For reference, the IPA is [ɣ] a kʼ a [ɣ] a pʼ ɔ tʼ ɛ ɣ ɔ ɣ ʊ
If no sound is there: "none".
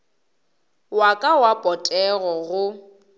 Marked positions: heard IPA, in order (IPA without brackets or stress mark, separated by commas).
w, w